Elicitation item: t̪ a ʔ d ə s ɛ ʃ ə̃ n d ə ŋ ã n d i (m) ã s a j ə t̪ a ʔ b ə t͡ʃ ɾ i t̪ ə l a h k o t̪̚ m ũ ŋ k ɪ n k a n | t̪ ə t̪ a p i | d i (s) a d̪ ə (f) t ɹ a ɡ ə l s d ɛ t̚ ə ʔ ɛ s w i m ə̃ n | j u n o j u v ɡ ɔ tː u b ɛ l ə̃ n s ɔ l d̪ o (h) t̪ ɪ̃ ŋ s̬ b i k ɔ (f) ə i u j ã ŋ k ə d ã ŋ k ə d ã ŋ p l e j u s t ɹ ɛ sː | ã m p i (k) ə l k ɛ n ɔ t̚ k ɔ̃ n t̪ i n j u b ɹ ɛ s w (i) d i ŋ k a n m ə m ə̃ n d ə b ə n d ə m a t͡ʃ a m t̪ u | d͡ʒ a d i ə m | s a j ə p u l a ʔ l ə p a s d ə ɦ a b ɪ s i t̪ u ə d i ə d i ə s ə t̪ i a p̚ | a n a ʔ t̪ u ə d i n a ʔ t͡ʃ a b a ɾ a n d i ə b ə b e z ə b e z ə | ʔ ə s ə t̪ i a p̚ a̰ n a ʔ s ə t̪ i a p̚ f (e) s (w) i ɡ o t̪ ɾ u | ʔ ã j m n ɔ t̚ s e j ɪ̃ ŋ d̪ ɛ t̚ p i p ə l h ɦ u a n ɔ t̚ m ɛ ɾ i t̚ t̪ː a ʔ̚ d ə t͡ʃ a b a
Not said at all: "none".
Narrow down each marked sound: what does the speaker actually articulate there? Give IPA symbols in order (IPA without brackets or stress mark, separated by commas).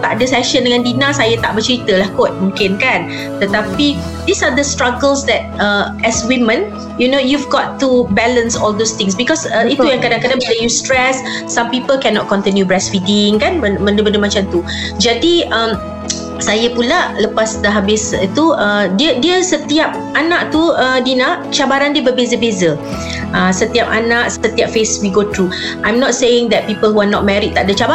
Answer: n, s, s, s, s, p, i, e, w